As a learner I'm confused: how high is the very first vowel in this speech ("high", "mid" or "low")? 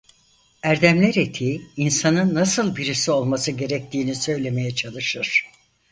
low